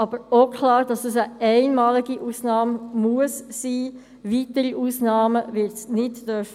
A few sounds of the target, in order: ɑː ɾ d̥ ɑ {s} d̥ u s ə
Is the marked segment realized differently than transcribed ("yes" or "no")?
no